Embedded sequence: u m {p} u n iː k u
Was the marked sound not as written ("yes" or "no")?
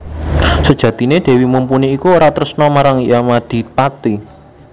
no